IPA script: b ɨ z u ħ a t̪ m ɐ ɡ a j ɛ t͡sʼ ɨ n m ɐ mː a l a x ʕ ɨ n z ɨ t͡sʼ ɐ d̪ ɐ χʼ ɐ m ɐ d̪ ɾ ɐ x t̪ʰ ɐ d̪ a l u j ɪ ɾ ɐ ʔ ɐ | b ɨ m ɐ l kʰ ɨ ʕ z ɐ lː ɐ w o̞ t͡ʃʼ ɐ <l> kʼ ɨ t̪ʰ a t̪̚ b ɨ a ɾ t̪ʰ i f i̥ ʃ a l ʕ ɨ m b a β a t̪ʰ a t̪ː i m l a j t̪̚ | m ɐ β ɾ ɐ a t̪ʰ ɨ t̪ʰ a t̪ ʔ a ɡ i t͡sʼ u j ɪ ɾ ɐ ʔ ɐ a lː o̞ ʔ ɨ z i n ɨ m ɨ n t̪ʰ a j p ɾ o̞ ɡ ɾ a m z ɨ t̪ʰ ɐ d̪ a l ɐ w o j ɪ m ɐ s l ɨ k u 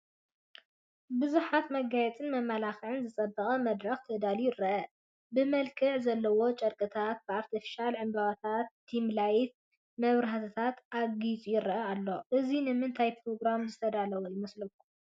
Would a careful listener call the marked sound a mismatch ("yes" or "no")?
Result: yes